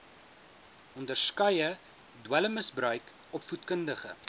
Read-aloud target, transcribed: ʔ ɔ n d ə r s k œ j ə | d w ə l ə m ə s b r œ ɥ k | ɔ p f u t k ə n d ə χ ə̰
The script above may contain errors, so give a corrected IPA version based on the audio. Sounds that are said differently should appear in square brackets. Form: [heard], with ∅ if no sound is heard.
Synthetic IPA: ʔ ɔ n d ə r s k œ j ə | d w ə l ə m ə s b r œ ɥ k | ɔ p f u t k ə n d ə χ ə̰